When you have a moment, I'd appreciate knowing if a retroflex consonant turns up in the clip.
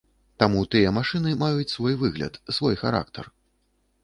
yes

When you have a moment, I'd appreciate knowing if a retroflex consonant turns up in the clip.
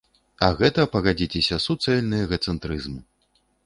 no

